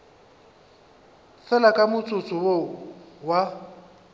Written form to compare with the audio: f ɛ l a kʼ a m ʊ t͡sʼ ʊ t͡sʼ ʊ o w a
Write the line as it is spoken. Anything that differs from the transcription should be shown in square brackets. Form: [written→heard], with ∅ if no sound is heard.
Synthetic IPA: f ɛ l a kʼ a m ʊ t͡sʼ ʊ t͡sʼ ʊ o w a